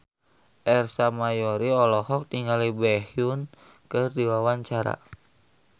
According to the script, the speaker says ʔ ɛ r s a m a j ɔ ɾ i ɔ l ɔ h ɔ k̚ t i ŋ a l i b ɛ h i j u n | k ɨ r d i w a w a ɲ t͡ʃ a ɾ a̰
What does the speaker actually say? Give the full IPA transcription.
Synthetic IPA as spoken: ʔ ɛ r s a m a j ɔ ɾ i ɔ l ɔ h ɔ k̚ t i ŋ a l i b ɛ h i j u n | k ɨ r d i w a w a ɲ t͡ʃ a ɾ a̰